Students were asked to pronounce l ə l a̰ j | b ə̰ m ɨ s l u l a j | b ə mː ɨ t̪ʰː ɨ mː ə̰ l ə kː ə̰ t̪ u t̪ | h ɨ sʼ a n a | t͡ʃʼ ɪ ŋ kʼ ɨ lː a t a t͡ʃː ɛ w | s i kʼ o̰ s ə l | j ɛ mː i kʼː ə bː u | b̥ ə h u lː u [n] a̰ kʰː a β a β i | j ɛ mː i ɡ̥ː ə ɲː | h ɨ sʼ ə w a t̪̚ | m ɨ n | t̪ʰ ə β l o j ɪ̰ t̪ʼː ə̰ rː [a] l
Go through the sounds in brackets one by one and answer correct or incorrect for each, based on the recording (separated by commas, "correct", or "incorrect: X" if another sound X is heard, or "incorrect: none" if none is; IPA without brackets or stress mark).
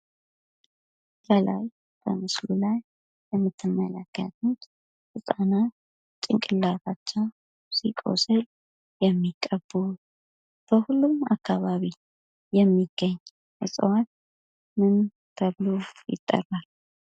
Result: incorrect: m, correct